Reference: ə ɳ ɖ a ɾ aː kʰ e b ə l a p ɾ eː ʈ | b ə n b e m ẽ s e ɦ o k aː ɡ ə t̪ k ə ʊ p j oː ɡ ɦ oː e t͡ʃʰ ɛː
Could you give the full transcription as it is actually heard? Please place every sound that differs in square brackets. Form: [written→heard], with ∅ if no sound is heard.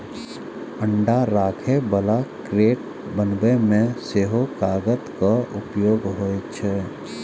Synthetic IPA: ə ɳ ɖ a ɾ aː kʰ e b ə l a [p→k] ɾ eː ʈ | b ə n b e m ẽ s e ɦ o k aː ɡ ə t̪ k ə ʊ p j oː ɡ ɦ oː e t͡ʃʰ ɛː